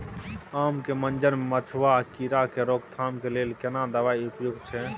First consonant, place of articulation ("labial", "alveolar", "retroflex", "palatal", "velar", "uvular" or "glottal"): labial